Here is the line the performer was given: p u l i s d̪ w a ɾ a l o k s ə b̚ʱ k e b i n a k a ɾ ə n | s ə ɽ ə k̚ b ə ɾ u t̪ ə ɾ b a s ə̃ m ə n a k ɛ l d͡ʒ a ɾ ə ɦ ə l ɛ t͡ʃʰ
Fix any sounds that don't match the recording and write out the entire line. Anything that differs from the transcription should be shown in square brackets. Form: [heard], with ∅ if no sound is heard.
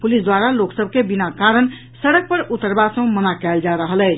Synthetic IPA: p u l i s d̪ w a ɾ a l o k s ə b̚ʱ k e b i n a k a ɾ ə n | s ə ɽ ə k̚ [p] ə ɾ u t̪ ə ɾ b a s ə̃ m ə n a k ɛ l d͡ʒ a ɾ ə ɦ ə l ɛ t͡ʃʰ